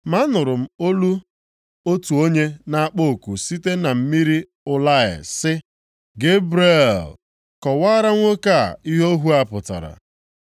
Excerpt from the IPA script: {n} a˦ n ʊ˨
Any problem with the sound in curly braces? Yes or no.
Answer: yes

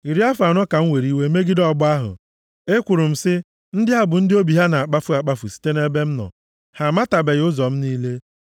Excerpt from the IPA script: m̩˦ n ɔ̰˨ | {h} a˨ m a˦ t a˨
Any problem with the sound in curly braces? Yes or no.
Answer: no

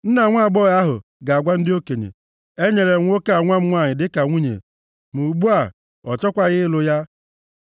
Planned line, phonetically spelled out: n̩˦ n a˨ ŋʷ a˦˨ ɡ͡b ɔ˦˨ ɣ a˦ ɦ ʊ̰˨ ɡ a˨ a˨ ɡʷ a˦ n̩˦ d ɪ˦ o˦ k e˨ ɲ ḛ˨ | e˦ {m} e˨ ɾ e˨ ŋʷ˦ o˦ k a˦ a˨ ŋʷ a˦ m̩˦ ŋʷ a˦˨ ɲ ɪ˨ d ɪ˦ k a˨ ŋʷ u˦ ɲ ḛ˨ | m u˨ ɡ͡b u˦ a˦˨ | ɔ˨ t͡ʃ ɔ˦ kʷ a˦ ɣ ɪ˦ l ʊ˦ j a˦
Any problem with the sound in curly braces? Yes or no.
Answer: yes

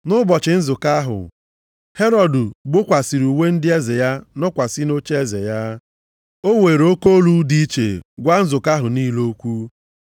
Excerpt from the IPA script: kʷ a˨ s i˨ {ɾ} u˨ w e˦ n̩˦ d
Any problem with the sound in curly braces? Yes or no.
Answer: no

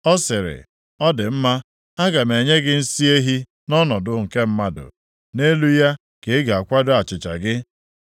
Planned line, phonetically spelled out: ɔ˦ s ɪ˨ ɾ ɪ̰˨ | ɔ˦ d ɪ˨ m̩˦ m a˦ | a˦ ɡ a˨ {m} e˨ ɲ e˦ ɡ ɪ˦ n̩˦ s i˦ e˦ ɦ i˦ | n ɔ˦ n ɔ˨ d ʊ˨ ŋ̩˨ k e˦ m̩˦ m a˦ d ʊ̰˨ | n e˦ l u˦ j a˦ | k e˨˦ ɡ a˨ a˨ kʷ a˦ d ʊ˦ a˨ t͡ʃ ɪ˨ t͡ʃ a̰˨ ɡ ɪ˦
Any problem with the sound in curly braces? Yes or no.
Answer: no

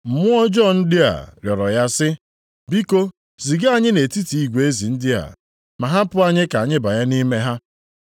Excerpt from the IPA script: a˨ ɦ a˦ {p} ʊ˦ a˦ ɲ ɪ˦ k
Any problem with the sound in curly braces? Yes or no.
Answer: no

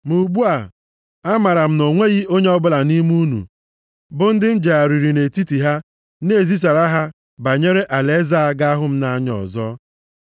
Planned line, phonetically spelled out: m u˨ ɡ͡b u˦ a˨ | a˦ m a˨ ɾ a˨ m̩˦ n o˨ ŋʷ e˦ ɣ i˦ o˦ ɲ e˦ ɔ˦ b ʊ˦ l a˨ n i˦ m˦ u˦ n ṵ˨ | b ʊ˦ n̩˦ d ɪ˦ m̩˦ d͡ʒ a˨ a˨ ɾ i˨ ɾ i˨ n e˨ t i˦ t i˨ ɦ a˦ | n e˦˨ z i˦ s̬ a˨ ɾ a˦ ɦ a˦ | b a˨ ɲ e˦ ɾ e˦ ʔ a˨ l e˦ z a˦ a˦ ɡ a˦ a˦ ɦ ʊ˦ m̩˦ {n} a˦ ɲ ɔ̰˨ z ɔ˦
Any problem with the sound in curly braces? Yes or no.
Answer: no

